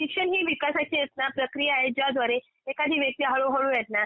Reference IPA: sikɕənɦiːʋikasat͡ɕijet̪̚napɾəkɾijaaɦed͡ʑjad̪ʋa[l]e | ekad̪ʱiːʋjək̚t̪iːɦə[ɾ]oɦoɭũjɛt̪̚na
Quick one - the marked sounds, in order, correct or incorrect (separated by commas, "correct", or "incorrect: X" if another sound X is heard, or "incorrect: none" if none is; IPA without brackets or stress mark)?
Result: incorrect: ɾ, incorrect: ɭ